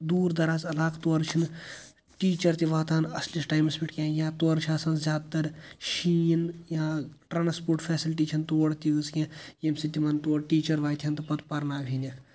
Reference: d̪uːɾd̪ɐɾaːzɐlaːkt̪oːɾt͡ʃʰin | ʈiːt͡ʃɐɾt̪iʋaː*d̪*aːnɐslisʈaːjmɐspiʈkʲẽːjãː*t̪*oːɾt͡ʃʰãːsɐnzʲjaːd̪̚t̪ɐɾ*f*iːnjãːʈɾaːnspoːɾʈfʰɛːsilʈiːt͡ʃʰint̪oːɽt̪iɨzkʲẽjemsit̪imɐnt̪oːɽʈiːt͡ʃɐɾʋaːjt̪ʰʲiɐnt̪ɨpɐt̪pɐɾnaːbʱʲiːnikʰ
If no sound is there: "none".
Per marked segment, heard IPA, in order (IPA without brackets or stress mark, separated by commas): t̪, t̪, ʃ